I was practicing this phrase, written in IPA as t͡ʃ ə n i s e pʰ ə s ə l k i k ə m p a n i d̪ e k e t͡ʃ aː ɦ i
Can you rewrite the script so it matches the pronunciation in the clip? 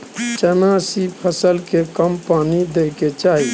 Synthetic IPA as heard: t͡ʃ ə n a s i pʰ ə s ə l k e k ə m p a n i d̪ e k e t͡ʃ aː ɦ i